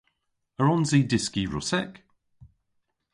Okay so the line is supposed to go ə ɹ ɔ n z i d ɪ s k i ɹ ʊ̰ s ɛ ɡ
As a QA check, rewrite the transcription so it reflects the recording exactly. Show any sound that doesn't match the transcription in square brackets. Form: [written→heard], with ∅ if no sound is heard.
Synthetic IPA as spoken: ə ɹ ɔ n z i d ɪ s k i ɹ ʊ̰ s ɛ [ɡ→k]